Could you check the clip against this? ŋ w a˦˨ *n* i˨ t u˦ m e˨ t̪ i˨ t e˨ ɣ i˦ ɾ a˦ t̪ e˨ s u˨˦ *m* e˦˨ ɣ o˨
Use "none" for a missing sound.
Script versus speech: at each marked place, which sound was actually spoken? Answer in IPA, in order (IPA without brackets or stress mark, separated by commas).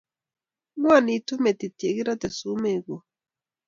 n, m